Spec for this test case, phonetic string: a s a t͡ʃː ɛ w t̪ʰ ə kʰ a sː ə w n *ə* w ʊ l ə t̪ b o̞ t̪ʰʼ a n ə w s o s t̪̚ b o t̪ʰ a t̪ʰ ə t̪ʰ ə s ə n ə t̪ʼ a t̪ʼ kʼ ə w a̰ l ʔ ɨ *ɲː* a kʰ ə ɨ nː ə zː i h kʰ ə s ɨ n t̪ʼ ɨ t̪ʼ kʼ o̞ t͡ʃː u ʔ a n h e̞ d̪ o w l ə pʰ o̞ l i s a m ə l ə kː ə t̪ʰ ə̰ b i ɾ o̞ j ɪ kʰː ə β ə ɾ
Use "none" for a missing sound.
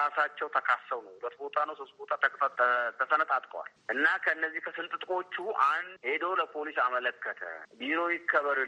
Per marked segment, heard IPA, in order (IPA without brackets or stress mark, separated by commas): ə, nː